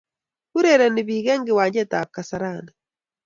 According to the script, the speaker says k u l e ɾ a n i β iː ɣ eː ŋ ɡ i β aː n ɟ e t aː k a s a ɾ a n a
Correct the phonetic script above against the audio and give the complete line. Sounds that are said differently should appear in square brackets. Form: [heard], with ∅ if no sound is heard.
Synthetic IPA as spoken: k u [ɾ] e ɾ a n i β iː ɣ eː ŋ ɡ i [w] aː [ɲ] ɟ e t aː k a s a ɾ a n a

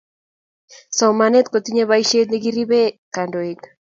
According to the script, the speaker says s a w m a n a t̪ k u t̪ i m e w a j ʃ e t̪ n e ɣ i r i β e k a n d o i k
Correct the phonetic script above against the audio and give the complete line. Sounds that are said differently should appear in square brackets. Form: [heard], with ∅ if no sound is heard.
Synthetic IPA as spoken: s a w m a n [e] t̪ k [o] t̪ i [ɲ] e [β] a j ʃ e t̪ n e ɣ i r i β e k a n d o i k

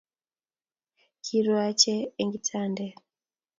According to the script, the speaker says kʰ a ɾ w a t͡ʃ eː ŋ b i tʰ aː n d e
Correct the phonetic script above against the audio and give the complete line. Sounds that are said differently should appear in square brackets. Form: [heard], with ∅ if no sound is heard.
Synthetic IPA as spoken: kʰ [i] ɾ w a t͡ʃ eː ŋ [ɡ] i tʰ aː n d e

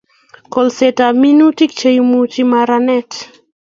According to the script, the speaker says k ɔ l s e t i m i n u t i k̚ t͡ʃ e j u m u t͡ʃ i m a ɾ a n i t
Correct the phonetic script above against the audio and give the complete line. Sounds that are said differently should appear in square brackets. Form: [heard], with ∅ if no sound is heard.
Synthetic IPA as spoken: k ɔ l s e t [a] m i n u t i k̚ t͡ʃ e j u m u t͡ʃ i m a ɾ a n [ɛ] t

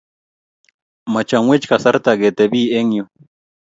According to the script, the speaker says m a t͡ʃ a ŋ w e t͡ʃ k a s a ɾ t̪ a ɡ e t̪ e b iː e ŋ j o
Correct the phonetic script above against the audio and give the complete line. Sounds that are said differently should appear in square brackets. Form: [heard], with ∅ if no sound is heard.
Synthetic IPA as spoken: m a t͡ʃ a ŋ w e t͡ʃ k a s a ɾ t̪ a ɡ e t̪ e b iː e ŋ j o

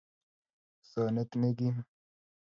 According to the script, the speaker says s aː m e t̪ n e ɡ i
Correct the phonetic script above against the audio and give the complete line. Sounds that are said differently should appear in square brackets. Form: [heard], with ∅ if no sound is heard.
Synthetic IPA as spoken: s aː [n] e t̪ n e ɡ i

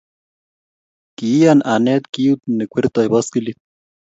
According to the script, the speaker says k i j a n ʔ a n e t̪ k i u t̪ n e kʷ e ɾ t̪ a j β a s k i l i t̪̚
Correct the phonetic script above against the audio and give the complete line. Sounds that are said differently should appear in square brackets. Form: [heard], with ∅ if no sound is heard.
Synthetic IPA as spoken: k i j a n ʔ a n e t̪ k i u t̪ n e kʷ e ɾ t̪ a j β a s k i l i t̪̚

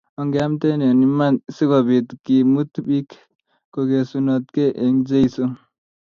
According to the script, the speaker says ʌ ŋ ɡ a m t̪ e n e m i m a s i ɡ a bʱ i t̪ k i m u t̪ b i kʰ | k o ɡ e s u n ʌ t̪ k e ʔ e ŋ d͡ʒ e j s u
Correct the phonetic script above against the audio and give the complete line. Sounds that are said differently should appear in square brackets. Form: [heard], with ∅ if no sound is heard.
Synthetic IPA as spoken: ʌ ŋ ɡ a m t̪ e n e [n] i m a s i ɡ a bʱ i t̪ k i m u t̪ b i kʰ | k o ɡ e s u n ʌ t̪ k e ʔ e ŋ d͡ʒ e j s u

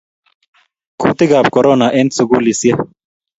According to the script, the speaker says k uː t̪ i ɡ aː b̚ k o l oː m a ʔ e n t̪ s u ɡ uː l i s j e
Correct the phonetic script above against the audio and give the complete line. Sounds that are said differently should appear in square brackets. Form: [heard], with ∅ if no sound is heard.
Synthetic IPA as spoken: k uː t̪ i ɡ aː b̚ k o [ɾ] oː [n] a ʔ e n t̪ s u ɡ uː l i s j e

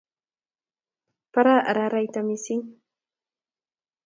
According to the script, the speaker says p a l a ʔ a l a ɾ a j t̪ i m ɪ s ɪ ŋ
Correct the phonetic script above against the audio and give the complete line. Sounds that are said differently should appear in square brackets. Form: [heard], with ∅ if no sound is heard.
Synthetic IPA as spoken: p a [ɾ] a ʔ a [ɾ] a ɾ a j t̪ [a] m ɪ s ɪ ŋ

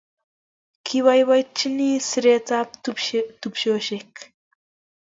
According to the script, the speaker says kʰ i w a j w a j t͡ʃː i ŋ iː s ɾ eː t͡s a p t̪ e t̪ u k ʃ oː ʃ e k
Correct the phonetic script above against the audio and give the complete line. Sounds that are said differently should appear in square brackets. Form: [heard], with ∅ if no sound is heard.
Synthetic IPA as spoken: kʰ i w a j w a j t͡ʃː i [n] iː s ɾ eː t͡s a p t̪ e t̪ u [p] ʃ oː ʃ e k

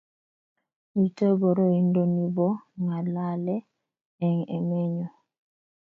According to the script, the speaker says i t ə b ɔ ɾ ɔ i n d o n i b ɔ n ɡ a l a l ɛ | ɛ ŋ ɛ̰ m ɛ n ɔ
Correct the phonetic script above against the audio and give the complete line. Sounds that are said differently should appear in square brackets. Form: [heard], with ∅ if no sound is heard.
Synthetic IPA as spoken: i t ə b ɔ ɾ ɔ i n d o n i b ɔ [ŋ] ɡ a l a l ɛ | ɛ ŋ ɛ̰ m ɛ [ɲ] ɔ

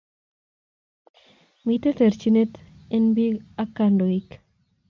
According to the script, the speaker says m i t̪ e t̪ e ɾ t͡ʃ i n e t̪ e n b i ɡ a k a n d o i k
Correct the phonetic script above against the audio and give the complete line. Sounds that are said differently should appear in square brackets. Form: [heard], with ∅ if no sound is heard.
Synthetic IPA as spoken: m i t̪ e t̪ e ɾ t͡ʃ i n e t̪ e n b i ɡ a k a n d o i k

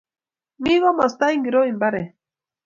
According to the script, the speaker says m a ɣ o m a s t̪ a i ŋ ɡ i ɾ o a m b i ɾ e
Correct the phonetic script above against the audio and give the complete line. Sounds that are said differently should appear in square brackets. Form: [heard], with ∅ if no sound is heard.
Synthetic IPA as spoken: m [i] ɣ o m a s t̪ a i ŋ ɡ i ɾ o [i] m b [a] ɾ e

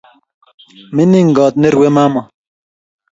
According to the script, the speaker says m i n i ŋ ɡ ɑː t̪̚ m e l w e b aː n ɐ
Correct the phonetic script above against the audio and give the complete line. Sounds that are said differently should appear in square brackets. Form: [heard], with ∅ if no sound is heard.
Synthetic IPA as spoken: m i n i ŋ ɡ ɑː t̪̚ [n] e [ɾ] w e [m] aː [m] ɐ

